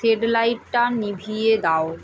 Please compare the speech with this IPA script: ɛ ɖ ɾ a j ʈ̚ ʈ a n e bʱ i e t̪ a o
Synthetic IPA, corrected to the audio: e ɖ l a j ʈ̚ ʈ a n i bʱ i e d̪ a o